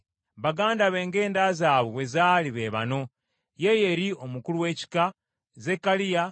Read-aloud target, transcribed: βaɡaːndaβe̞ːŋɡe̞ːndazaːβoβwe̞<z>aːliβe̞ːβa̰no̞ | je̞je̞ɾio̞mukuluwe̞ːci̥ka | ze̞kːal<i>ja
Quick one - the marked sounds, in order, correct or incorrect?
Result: correct, correct

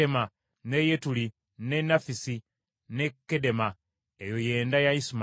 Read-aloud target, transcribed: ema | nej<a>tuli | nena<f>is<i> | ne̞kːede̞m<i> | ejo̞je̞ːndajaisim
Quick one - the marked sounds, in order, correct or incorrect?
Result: incorrect: e, correct, correct, incorrect: a

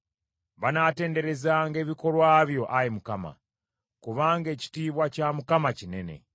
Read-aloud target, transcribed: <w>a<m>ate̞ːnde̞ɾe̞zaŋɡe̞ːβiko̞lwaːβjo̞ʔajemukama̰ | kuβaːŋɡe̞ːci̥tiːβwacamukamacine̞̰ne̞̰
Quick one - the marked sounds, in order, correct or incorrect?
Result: incorrect: β, incorrect: n

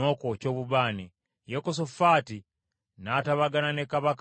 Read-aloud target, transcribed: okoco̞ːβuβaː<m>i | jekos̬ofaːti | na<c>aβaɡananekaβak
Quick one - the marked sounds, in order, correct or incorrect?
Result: incorrect: n, incorrect: t

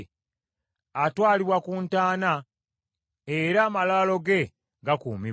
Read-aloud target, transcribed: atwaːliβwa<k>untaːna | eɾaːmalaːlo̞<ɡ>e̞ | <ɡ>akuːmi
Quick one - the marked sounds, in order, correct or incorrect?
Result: correct, correct, correct

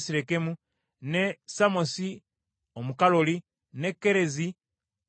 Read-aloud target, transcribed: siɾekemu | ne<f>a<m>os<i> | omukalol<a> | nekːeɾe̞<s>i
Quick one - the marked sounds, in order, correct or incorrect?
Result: incorrect: s, correct, correct, incorrect: i, incorrect: z

